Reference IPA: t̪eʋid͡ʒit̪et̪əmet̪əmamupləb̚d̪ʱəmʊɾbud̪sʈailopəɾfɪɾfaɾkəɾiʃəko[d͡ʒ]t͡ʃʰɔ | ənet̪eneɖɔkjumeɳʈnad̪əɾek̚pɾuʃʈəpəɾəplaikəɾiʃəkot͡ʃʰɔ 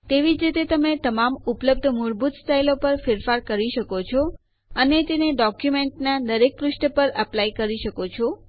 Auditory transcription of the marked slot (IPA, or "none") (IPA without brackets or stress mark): none